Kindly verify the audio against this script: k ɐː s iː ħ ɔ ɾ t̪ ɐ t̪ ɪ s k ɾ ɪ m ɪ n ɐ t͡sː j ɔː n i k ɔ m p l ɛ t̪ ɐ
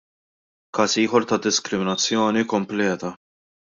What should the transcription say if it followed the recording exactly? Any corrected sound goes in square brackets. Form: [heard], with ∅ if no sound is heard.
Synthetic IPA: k ɐː s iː ħ ɔ ɾ t̪ ɐ [d̪] ɪ s k ɾ ɪ m ɪ n ɐ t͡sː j ɔː n i k ɔ m p l [ɛː] t̪ ɐ